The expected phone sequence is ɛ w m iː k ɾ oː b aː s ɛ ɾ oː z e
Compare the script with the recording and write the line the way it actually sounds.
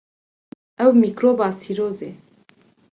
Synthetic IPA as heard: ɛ w m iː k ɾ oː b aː s i ɾ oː z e